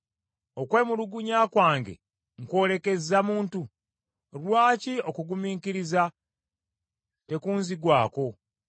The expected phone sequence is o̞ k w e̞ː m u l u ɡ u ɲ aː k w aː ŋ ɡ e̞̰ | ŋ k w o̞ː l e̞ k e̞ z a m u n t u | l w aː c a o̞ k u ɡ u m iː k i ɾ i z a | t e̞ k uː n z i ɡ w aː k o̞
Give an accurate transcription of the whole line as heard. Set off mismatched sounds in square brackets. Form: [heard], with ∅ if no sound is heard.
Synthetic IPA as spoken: o̞ k w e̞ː m u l u ɡ u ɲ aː k w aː ŋ ɡ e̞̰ | ŋ k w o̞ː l e̞ k e̞ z a m [uː] n t u | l w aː c [i] o̞ k u ɡ u m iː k i ɾ i z a | t e̞ k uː n z i ɡ w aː k o̞